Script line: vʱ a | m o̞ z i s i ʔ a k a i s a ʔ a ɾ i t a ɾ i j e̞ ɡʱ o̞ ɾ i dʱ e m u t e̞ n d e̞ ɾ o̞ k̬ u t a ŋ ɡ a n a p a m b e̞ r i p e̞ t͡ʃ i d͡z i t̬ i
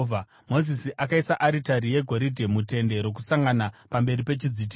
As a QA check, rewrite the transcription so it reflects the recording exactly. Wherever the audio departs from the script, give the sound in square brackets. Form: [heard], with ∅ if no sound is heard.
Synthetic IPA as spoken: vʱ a | m o̞ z i s i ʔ a k a i s a ʔ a ɾ i t a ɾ i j e̞ ɡʱ o̞ ɾ i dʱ e m u t e̞ n d e̞ ɾ o̞ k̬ u [s] a ŋ ɡ a n a p a m b e̞ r i p e̞ t͡ʃ i d͡z i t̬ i